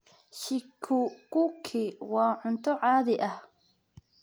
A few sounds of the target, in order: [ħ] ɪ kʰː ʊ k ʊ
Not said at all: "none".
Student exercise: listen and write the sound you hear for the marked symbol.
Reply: ʃ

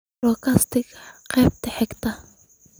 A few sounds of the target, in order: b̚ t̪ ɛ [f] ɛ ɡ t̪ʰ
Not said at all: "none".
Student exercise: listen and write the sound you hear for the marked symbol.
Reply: ħ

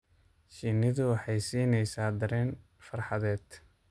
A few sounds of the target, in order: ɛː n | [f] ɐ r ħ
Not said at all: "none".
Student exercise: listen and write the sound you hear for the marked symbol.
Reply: f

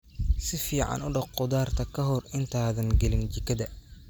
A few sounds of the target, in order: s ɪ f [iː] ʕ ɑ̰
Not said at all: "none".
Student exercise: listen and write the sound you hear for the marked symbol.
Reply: iː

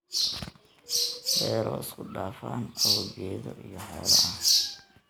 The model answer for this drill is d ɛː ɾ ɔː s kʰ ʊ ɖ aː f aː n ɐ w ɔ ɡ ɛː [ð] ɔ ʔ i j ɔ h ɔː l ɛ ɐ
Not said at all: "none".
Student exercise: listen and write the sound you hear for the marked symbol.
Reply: ð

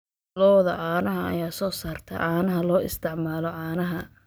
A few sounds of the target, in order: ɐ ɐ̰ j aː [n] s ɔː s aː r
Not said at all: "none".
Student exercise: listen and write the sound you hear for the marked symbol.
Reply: none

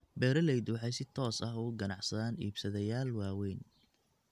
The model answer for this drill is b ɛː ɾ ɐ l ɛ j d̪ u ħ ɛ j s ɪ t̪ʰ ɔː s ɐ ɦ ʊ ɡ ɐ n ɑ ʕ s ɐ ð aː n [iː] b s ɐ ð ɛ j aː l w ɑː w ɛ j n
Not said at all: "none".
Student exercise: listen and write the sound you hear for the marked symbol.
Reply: iː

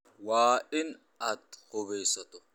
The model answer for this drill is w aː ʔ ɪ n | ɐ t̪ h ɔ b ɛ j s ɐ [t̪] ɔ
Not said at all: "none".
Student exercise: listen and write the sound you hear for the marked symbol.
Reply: t̪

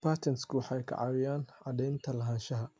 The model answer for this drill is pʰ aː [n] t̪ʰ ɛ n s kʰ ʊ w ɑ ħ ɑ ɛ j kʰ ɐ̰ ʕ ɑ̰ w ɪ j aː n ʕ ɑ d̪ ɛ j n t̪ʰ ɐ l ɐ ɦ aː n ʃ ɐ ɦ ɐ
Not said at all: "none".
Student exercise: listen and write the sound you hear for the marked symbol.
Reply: none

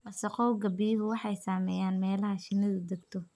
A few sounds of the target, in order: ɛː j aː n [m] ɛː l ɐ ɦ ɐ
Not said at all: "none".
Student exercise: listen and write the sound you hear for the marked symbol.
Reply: m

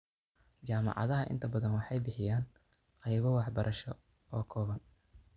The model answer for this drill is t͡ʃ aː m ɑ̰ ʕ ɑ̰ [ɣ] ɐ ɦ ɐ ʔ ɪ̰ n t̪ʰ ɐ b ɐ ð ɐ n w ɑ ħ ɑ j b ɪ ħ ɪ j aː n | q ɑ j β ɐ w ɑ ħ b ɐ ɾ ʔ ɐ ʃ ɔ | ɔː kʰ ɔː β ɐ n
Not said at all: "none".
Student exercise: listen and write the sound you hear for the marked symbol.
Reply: ð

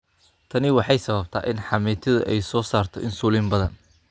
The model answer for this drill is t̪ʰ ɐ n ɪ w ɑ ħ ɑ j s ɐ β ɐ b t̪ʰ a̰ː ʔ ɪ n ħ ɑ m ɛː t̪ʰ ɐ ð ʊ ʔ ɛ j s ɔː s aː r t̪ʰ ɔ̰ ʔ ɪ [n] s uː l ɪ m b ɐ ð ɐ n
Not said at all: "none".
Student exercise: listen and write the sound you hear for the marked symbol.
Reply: n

